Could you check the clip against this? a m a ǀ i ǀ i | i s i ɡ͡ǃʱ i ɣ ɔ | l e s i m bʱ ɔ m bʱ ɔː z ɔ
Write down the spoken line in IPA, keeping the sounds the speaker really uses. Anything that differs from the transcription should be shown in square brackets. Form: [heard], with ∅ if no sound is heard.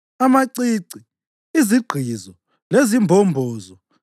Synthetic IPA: a m a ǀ i ǀ i | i [z] i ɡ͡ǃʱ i [z] ɔ | l e [z] i m bʱ ɔ m bʱ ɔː z ɔ